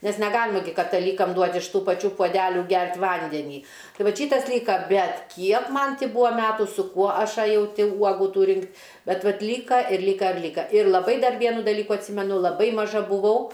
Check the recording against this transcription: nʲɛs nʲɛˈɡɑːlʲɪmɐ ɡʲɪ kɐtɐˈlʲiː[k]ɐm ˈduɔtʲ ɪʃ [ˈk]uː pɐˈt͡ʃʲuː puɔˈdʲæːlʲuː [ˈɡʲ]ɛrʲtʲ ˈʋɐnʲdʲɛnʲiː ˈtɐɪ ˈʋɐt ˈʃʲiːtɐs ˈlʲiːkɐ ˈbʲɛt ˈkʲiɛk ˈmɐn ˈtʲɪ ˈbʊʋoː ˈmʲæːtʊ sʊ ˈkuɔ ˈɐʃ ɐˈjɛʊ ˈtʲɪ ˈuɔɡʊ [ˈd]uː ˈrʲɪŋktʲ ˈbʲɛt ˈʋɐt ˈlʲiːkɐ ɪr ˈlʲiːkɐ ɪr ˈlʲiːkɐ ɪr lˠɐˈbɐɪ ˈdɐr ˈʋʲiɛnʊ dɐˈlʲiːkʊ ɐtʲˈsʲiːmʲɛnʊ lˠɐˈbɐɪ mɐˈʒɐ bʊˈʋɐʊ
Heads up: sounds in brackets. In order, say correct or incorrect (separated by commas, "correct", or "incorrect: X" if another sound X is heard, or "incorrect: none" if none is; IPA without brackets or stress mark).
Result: correct, incorrect: t, correct, incorrect: t